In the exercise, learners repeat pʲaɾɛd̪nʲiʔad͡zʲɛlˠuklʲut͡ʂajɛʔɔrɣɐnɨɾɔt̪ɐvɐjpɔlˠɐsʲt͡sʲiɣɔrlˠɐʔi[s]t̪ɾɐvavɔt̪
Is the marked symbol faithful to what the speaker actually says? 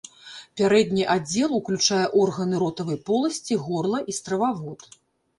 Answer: yes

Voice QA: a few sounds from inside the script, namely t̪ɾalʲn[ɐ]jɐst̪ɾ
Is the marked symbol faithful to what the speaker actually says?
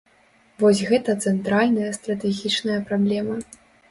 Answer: yes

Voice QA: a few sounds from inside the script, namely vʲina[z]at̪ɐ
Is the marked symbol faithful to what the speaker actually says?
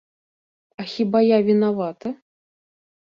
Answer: no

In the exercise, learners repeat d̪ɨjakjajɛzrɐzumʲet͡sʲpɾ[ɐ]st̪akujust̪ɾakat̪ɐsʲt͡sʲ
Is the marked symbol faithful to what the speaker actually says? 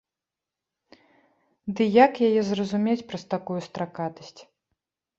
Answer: yes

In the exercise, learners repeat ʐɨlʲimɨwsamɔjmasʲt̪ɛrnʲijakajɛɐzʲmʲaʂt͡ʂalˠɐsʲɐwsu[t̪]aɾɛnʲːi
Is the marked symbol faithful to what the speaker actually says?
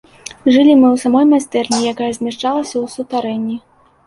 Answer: yes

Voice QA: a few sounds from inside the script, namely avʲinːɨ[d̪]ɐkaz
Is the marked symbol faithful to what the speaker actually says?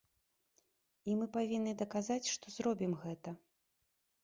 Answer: yes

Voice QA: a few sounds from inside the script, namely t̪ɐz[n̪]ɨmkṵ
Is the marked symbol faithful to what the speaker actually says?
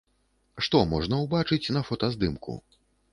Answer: no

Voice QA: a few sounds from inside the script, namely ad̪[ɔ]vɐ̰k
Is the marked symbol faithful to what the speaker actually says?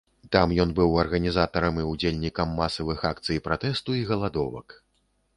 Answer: yes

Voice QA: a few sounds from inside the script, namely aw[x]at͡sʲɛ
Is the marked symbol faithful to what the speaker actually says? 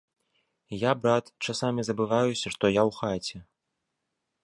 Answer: yes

